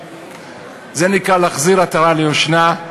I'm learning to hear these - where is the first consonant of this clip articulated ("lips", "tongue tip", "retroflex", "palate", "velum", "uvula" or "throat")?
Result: tongue tip